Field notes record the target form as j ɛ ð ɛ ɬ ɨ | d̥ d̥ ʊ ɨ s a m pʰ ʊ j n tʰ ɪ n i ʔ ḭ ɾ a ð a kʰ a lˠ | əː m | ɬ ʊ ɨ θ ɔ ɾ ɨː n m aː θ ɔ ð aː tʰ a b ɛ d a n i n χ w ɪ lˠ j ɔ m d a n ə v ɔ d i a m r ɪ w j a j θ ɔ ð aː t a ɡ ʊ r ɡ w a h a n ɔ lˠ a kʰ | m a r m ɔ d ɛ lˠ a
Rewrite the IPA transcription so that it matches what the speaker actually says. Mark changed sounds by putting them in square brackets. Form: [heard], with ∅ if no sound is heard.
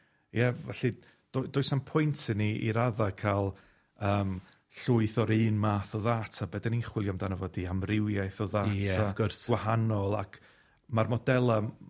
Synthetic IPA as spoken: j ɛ [v] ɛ ɬ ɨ | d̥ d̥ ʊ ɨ s a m pʰ ʊ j n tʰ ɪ n i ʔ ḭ ɾ a ð a kʰ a lˠ | əː m | ɬ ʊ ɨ θ ɔ ɾ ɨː n m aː θ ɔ ð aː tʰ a b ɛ d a n i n χ w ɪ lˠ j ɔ m d a n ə v ɔ d i a m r ɪ w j a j θ ɔ ð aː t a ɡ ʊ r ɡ w a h a n ɔ lˠ a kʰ | m a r m ɔ d ɛ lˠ a